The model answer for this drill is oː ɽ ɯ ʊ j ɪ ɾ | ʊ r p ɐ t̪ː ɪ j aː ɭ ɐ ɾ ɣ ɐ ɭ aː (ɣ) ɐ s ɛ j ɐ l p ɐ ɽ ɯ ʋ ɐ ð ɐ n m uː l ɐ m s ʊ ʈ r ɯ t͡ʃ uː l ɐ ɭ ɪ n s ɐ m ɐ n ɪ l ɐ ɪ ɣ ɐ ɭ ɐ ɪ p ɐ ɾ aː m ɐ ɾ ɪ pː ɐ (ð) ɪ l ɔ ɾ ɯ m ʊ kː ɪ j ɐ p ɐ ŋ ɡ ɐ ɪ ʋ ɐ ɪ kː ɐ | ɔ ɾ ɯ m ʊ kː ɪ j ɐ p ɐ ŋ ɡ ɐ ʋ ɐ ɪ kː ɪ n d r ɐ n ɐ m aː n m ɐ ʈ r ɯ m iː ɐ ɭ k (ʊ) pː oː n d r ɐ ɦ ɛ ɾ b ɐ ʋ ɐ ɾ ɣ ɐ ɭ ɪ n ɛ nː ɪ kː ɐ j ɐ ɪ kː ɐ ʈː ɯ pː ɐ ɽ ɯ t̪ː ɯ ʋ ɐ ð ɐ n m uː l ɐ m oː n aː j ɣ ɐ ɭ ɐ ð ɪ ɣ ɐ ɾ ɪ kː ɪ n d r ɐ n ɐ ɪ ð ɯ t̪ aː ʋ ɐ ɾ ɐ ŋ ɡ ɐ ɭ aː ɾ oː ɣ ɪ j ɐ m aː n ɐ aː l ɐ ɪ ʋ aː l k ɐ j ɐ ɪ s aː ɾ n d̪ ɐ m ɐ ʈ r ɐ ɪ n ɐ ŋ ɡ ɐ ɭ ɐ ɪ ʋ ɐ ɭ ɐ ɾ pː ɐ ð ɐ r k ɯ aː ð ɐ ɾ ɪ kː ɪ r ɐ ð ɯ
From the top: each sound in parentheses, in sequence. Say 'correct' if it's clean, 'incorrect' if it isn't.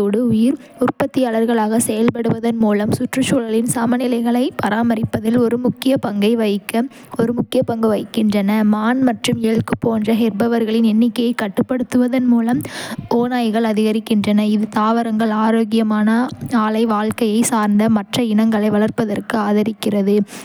correct, correct, incorrect

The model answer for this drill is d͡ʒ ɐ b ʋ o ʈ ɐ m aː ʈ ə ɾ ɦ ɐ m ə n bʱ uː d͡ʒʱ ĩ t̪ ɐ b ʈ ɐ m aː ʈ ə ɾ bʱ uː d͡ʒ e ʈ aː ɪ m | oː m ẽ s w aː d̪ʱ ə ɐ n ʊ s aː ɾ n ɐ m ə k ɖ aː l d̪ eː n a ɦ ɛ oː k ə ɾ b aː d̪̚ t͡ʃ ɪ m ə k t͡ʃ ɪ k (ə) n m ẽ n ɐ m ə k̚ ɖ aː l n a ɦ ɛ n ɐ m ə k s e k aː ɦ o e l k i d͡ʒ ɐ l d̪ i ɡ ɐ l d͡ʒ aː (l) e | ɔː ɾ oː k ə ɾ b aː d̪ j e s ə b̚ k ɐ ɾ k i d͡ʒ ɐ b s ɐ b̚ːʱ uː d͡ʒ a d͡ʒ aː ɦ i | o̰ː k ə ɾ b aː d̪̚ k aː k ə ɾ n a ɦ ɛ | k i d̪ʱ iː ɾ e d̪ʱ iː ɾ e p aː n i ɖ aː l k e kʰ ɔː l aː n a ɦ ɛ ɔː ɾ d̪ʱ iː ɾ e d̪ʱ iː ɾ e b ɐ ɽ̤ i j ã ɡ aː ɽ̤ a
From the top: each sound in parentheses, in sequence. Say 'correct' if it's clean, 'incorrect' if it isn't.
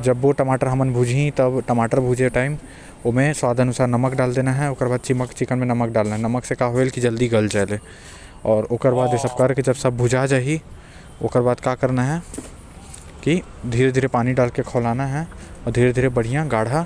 correct, correct

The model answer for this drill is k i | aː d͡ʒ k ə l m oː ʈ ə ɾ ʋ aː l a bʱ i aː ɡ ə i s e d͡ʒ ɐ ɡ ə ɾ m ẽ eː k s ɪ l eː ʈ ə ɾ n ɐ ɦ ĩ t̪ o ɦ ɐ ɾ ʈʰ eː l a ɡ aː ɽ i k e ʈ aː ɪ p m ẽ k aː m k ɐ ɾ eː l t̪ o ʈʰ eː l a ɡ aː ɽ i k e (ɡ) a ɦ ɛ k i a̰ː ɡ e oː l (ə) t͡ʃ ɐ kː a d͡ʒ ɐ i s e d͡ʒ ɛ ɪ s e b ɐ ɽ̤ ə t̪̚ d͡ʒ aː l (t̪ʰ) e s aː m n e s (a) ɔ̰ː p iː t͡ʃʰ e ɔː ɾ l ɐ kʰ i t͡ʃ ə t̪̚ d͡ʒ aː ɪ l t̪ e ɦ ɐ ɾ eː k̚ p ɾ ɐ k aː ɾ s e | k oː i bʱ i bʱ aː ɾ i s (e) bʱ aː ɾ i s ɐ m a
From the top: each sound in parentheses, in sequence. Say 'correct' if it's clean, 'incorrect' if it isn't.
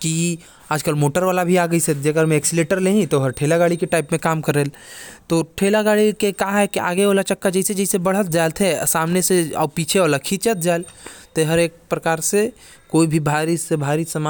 incorrect, incorrect, correct, incorrect, correct

